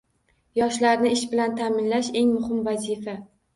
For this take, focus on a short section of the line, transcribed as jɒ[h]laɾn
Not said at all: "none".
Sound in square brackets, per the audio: ʃ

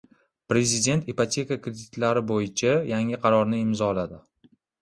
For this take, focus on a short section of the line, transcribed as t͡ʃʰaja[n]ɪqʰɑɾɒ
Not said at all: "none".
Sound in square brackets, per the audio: ŋ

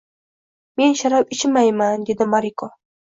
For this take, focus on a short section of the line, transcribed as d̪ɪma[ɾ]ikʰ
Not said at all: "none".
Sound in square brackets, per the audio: ɾ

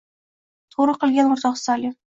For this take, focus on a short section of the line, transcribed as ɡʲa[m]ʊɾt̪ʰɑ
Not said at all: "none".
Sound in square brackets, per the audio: n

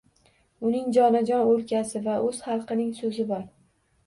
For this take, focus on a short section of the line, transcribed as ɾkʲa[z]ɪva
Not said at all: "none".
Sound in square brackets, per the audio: s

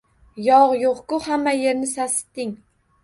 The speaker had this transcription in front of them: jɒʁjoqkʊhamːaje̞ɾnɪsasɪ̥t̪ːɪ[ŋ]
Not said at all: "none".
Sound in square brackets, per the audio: ŋ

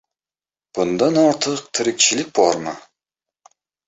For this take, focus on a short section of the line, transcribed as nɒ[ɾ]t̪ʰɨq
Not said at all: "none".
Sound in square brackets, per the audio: ɾ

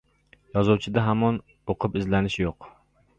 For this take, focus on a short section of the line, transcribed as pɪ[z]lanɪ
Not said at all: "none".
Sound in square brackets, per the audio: z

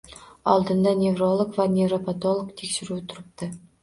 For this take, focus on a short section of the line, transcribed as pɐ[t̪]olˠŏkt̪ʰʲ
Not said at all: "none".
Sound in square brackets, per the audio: t̪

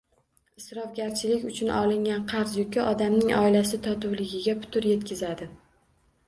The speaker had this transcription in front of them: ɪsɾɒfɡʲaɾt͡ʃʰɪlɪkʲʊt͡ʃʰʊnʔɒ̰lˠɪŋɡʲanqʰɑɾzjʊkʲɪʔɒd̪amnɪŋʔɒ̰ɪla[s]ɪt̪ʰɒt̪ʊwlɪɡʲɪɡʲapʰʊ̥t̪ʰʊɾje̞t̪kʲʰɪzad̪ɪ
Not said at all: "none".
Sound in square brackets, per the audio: s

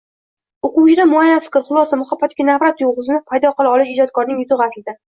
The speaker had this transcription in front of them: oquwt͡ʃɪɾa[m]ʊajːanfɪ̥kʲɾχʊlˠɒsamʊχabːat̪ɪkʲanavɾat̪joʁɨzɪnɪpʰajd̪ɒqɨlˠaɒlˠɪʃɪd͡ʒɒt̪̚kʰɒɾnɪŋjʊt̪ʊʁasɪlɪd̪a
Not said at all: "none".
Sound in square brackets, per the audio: m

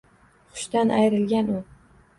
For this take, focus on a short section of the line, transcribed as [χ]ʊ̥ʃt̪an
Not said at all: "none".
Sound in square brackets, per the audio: χ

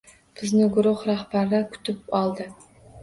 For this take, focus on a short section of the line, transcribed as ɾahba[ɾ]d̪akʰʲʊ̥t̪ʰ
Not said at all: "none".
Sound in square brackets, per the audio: ɾ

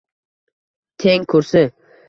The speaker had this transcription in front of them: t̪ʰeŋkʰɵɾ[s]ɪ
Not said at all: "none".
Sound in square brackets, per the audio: s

